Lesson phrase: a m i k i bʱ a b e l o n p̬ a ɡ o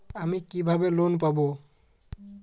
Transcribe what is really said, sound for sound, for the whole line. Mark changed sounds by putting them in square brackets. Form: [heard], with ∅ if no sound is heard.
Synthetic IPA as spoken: a m i k i bʱ a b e l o n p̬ a [b] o